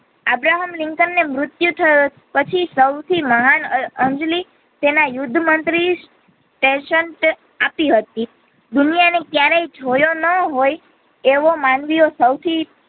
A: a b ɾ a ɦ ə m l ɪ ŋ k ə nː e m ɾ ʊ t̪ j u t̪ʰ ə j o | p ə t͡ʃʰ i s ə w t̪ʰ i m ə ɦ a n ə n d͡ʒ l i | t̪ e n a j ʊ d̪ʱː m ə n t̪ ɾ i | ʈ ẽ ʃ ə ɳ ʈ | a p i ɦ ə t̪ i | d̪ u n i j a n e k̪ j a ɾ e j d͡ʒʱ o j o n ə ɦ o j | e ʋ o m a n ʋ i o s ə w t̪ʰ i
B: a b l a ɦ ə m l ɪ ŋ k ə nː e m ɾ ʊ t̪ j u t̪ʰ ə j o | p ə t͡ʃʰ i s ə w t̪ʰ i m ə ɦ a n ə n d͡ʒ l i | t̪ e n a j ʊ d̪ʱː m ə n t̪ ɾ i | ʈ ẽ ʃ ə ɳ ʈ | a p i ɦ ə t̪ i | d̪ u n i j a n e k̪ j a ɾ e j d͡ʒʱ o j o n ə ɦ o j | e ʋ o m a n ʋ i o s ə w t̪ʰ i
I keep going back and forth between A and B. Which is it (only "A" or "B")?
A